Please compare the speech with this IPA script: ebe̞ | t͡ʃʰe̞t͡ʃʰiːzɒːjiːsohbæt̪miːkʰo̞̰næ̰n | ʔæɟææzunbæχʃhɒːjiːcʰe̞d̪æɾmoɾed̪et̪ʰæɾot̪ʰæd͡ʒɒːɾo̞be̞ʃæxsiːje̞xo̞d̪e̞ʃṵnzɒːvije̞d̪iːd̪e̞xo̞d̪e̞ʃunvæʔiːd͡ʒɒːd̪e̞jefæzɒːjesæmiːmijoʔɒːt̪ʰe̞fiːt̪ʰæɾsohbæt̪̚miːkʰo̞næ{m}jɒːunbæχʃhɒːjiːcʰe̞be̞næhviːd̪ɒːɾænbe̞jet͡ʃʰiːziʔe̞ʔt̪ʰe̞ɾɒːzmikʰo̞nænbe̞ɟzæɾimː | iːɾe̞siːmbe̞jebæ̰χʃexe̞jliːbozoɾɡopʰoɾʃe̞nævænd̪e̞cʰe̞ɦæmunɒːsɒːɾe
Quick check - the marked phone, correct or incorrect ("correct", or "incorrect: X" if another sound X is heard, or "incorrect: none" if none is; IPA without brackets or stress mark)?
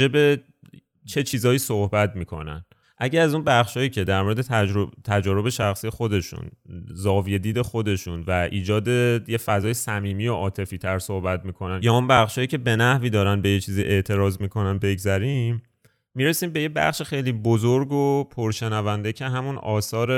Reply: incorrect: n